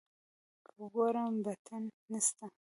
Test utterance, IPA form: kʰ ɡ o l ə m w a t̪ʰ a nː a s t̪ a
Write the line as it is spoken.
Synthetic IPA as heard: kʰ ɡ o ɾ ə m b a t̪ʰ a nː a s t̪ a